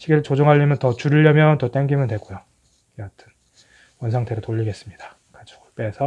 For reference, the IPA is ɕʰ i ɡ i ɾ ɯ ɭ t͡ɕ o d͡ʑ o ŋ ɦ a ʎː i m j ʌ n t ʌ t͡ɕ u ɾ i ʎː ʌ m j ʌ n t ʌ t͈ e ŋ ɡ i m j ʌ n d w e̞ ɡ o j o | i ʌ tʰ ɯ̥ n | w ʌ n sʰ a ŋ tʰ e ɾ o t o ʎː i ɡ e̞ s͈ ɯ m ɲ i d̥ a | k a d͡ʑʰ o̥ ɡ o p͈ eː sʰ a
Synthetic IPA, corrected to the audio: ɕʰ i ɡ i ɾ ɯ ɭ t͡ɕ o d͡ʑ o ŋ ɦ a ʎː i m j ʌ n t ʌ t͡ɕ u ɾ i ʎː ʌ m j ʌ n t ʌ t͈ e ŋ ɡ i m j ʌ n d w e̞ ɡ o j o | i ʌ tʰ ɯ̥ n | w ʌ n sʰ a ŋ tʰ e ɾ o t o ʎː i ɡ e̞ s͈ ɯ m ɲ i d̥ a | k a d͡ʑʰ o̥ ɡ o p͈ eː sʰ ʌ